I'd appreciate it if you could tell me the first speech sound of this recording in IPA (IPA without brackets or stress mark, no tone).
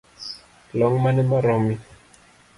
l